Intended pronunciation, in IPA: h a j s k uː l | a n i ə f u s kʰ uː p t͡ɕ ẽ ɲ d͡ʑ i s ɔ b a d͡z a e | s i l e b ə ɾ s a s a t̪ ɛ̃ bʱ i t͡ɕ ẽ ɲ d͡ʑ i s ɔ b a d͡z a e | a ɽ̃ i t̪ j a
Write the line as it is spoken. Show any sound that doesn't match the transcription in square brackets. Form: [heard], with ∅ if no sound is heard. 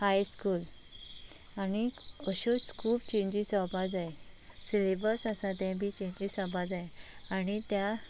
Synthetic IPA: h a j s k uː l | a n i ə [ɕ] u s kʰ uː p t͡ɕ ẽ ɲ d͡ʑ i s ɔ b a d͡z a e | s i l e b ə ɾ s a s a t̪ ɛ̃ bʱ i t͡ɕ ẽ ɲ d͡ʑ i s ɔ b a d͡z a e | a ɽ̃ i t̪ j a